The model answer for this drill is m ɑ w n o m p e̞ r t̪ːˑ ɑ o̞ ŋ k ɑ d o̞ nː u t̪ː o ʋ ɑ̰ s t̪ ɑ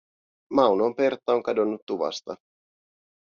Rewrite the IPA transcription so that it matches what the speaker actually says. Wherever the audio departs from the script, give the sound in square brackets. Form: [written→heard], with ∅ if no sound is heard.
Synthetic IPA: m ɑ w n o m p e̞ r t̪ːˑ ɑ o̞ ŋ k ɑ d o̞ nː u t̪ː [o→u] ʋ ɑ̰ s t̪ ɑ